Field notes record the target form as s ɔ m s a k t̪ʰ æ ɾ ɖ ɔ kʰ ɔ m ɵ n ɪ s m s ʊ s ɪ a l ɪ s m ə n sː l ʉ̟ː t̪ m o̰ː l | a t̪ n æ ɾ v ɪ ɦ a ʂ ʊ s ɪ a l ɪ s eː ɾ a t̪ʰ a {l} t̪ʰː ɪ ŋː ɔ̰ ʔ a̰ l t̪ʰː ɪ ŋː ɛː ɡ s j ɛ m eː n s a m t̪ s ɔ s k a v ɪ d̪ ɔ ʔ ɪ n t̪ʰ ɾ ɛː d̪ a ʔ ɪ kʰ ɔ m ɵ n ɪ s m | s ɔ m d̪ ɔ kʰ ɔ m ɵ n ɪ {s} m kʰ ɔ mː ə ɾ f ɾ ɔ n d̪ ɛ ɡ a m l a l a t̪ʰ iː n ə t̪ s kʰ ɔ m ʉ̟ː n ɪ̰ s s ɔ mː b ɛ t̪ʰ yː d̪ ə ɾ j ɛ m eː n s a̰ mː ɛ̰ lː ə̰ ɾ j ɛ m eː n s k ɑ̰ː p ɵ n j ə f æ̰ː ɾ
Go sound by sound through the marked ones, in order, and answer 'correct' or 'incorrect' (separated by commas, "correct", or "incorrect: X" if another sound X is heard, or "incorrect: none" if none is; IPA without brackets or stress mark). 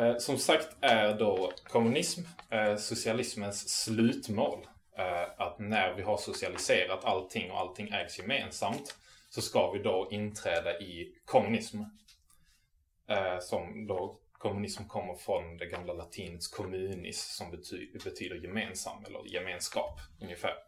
correct, correct